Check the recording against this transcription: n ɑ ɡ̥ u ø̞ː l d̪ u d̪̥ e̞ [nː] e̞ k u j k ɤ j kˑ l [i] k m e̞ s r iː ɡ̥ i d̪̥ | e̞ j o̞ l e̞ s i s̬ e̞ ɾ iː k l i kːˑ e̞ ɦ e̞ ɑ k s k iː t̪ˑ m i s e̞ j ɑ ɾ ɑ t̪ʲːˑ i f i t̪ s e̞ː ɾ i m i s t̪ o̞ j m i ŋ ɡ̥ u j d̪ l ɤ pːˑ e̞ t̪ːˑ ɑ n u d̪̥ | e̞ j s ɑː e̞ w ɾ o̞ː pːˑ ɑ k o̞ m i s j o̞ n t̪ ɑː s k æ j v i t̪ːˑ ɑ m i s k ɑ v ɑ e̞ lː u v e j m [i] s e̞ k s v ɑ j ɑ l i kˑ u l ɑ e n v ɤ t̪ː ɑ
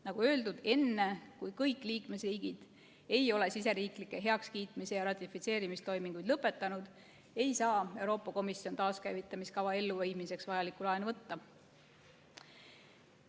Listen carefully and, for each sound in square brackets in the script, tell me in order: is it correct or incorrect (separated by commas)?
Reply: correct, incorrect, correct